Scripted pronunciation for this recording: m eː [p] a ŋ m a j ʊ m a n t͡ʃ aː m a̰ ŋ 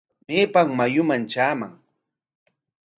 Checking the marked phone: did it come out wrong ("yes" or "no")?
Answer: no